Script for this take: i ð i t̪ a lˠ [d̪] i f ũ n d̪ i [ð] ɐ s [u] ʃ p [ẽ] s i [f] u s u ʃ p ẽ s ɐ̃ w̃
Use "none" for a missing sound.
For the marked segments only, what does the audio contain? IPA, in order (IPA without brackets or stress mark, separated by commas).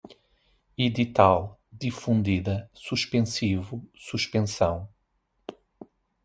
d̪, ð, u, ẽ, v